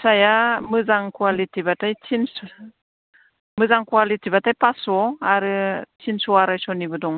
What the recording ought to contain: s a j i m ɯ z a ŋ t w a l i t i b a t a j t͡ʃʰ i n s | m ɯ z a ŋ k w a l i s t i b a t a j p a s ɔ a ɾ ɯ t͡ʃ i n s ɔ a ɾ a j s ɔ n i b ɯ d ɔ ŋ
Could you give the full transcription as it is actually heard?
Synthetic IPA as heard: s a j a m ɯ z a ŋ k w a l i t i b a t a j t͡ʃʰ i n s | m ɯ z a ŋ k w a l i t i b a t a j p a s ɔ a ɾ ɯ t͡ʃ i n s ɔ a ɾ a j s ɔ n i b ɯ d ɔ ŋ